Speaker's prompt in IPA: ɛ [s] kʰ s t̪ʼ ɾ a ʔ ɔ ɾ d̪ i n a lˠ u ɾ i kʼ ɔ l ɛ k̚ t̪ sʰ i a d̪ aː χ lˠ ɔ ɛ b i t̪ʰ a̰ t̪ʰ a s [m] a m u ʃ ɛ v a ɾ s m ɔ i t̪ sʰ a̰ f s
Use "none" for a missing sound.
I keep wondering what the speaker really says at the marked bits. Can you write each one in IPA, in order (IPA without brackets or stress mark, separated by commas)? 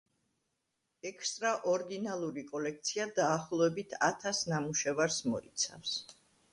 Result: none, n